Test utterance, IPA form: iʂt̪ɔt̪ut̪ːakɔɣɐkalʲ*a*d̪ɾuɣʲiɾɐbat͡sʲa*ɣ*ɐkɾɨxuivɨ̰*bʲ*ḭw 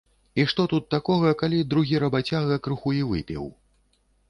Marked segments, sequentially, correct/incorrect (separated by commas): incorrect, correct, incorrect